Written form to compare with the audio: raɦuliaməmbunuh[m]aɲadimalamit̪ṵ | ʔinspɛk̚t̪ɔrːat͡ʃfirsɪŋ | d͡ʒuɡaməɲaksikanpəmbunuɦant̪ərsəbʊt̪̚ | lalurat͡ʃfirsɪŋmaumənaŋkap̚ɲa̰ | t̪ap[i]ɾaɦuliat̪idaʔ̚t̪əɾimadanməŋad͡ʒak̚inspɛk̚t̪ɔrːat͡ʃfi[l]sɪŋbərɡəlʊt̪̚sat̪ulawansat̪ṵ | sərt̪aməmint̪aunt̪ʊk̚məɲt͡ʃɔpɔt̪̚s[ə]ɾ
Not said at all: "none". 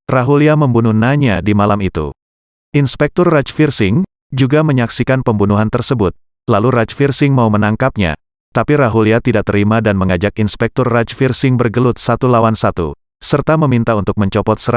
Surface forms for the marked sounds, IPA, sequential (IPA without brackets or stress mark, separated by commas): n, i, r, ə